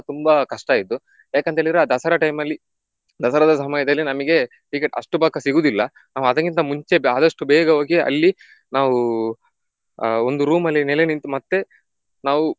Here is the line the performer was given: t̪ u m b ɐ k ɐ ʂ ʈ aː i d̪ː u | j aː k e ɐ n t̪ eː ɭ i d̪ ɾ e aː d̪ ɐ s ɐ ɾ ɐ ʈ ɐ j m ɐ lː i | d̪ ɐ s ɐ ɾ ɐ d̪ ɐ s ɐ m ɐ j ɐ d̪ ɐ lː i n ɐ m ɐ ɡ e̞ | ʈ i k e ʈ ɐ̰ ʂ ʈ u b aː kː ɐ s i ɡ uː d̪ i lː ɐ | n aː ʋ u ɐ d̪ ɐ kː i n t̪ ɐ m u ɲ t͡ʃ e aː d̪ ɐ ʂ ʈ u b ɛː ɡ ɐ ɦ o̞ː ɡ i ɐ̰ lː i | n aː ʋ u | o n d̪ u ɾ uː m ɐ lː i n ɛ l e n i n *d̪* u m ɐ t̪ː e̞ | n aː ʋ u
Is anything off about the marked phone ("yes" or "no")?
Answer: yes